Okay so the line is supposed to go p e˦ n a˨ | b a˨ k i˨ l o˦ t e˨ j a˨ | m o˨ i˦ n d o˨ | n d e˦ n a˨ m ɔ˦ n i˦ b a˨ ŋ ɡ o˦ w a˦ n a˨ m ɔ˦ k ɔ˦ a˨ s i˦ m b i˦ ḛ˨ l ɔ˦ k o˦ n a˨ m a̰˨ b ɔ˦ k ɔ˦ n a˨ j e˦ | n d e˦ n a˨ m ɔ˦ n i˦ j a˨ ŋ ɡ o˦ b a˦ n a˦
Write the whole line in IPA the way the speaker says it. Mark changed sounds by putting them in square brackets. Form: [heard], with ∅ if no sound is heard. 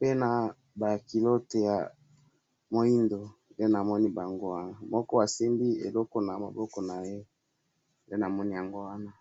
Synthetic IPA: p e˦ n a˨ | b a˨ k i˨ l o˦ t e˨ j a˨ | m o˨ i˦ n d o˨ | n d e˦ n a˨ m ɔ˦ n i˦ b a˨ ŋ ɡ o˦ w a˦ n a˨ m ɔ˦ k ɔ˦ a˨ s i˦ m b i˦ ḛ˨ l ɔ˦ k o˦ n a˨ m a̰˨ b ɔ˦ k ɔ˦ n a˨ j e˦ | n d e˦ n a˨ m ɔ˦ n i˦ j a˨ ŋ ɡ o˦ [w] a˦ n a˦